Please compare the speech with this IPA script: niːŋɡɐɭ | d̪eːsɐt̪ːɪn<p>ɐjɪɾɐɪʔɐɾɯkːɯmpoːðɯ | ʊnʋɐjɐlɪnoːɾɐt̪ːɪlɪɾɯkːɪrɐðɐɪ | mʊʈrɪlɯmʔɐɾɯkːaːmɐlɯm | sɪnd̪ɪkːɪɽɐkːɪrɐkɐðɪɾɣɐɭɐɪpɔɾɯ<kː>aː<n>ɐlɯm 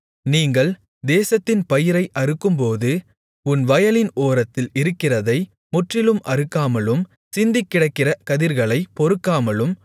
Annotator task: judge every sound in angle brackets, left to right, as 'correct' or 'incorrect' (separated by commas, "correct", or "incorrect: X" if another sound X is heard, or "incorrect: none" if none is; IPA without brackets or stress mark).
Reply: correct, correct, incorrect: m